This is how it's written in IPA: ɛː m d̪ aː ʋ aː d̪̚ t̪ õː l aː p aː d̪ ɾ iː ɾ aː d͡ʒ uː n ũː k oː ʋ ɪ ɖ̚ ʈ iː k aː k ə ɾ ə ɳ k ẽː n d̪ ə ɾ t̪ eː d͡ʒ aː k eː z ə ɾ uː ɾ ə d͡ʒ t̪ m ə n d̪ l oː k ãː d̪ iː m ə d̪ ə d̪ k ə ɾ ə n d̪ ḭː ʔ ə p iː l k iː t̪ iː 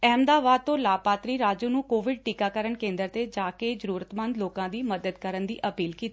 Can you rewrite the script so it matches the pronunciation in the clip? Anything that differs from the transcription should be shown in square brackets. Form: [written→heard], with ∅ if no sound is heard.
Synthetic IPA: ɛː m d̪ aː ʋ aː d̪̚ t̪ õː l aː p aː [d̪→t̪] ɾ iː ɾ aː d͡ʒ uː n ũː k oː ʋ ɪ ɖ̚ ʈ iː k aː k ə ɾ ə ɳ k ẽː n d̪ ə ɾ t̪ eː d͡ʒ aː k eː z ə ɾ uː ɾ ə [d͡ʒ→∅] t̪ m ə n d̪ l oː k ãː d̪ iː m ə d̪ ə d̪ k ə ɾ ə n d̪ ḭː ʔ ə p iː l k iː t̪ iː